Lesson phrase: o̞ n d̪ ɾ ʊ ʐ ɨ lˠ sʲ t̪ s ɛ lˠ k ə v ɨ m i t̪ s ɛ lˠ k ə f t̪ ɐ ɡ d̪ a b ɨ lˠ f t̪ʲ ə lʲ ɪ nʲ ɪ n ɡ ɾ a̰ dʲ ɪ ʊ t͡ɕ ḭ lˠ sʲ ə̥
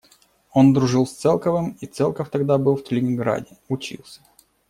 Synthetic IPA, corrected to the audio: o̞ n d̪ ɾ ʊ ʐ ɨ lˠ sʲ t̪ s ɛ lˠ k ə v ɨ m i t̪ s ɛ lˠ k ə f t̪ ɐ ɡ d̪ a b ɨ lˠ f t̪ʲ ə lʲ ɪ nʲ ɪ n ɡ ɾ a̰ dʲ ɪ ʊ t͡ɕ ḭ lˠ sʲ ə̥